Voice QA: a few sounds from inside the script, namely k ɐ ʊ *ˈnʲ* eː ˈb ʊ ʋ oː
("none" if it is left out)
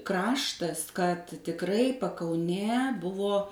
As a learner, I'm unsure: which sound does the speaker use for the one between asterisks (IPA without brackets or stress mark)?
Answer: nʲ